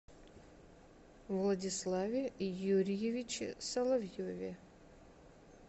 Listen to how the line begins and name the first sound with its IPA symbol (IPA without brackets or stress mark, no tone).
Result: v